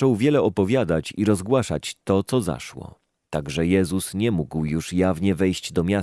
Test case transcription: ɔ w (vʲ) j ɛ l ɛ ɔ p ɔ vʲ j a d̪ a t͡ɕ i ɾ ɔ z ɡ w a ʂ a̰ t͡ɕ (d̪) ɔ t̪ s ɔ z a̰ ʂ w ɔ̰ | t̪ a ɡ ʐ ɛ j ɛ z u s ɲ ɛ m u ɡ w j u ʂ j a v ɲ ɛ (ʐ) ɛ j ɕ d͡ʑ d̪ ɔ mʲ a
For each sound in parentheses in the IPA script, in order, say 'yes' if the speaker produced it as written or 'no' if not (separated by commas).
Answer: yes, no, no